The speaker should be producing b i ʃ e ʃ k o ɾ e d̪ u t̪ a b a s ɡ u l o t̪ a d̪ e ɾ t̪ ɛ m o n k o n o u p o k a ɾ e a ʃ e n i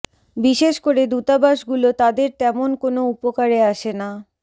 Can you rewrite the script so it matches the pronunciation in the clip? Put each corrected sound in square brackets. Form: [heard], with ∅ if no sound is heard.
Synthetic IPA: b i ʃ e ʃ k o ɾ e d̪ u t̪ a b a [ʃ] ɡ u l o t̪ a d̪ e ɾ t̪ ɛ m o n k o n o u p o k a ɾ e a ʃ e n [a]